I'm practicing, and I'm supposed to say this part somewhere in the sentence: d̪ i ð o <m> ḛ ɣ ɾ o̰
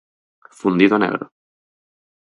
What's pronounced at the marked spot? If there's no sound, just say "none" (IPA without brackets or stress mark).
n